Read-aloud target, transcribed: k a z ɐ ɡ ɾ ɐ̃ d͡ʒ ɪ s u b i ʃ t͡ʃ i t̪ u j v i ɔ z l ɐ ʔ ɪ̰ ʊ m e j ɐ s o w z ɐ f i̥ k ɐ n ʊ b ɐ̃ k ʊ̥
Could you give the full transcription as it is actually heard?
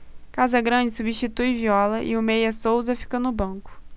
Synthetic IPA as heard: k a z ɐ ɡ ɾ ɐ̃ d͡ʒ ɪ s u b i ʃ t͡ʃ i t̪ u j v i ɔ l ɐ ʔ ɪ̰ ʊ m e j ɐ s o w z ɐ f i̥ k ɐ n ʊ b ɐ̃ k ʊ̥